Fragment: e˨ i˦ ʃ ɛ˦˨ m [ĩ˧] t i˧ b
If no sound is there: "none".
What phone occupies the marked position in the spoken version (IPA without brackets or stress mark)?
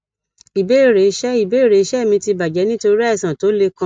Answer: ĩ˧